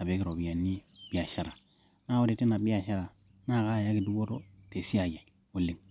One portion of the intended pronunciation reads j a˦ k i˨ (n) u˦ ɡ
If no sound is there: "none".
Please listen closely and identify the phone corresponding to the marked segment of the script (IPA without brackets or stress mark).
d